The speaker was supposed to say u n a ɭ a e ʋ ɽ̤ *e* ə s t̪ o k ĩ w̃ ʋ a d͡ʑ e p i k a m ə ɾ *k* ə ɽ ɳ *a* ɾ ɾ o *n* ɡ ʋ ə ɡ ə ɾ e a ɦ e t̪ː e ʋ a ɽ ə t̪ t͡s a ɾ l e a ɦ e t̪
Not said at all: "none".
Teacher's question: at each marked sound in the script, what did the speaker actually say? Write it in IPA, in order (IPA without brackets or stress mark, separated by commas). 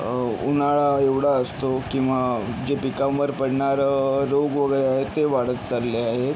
a, p, a, none